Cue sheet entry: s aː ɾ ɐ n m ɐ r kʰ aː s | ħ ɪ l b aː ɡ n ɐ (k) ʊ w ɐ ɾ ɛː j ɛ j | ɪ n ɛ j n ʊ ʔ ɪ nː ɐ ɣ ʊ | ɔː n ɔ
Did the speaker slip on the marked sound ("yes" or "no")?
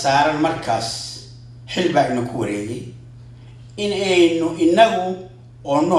yes